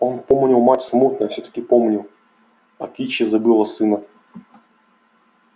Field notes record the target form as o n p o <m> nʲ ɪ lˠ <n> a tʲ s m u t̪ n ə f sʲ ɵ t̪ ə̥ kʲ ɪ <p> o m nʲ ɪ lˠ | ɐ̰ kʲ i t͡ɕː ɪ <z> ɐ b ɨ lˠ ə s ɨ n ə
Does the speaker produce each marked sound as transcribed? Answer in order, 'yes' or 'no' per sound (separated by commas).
yes, no, yes, yes